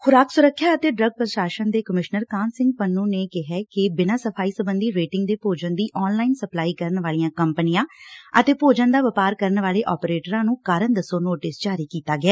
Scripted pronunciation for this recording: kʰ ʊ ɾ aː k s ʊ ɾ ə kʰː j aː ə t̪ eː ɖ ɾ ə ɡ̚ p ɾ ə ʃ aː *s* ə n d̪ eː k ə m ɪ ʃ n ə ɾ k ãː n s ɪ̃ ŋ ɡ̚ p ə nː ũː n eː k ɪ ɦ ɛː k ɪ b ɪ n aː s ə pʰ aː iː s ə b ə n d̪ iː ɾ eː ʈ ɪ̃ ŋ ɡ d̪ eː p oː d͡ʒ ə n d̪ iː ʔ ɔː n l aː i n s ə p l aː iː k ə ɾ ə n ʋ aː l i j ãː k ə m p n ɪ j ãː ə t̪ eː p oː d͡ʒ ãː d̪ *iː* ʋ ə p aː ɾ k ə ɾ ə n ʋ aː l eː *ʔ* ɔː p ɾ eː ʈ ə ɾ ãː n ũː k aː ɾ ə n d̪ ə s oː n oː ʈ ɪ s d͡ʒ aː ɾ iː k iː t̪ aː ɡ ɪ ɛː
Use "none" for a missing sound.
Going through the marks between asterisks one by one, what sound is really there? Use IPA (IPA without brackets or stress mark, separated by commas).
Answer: ʃ, aː, ʔ